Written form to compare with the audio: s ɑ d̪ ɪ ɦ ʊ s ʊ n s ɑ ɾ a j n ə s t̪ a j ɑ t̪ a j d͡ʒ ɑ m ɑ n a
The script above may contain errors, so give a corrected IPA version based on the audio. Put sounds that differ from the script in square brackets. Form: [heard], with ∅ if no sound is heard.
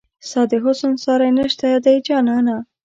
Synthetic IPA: s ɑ d̪ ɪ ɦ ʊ s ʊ n s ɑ ɾ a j n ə [ʃ] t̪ a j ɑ [d̪] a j d͡ʒ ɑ [n] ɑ n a